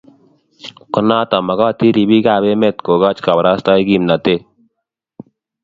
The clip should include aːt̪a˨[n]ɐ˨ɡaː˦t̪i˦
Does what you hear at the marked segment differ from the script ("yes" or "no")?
yes